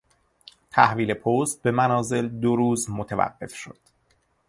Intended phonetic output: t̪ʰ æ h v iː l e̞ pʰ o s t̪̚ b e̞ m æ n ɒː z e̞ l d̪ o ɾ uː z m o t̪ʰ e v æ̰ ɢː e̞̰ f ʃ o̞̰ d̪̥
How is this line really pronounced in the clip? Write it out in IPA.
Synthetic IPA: t̪ʰ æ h v iː l e̞ pʰ o s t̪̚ b e̞ m æ n ɒː z e̞ l d̪ o ɾ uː z m o t̪ʰ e v æ̰ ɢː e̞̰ f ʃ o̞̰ d̪̥